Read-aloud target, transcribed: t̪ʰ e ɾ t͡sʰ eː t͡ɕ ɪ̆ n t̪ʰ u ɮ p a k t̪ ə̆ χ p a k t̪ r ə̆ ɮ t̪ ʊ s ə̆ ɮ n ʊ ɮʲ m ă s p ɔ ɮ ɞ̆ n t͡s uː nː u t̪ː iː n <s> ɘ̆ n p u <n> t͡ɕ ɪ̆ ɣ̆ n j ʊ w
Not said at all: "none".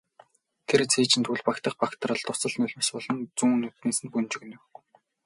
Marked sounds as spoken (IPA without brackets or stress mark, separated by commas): s, n